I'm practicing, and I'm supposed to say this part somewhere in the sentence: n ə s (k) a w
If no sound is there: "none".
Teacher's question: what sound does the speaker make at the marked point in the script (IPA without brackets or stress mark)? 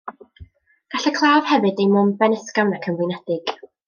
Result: k